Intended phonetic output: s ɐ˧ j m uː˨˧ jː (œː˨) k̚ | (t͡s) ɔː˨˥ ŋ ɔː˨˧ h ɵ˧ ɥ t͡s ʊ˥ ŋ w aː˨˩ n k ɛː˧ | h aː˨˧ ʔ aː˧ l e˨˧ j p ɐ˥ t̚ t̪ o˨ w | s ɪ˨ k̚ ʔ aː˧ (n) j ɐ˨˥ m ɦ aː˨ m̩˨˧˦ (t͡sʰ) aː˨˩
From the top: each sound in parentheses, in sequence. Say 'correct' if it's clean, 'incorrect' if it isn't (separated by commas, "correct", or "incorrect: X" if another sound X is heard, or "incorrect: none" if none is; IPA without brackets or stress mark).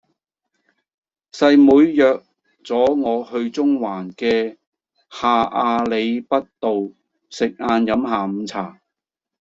correct, correct, correct, correct